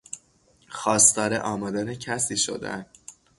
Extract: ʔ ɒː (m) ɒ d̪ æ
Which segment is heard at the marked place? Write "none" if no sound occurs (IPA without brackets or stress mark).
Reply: m